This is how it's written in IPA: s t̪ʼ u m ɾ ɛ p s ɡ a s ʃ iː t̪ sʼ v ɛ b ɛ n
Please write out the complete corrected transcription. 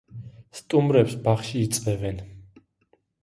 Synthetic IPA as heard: s t̪ʼ u m ɾ ɛ p s b a χ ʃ iː t̪ sʼ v ɛ v ɛ n